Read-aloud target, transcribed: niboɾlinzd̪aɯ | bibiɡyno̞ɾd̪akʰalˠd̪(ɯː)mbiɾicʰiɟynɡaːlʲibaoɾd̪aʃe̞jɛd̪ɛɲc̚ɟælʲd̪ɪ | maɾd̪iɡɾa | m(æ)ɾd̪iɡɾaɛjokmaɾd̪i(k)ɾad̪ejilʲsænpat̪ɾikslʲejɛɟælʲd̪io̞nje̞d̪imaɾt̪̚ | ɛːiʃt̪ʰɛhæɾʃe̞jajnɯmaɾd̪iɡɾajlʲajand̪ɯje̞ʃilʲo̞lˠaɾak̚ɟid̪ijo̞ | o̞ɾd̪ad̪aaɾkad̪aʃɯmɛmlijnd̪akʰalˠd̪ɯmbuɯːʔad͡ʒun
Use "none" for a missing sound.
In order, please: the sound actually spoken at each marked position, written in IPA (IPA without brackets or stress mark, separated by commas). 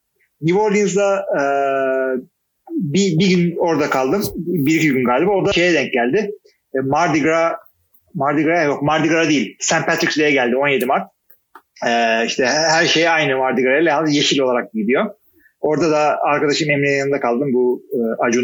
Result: ɯ, a, ɡ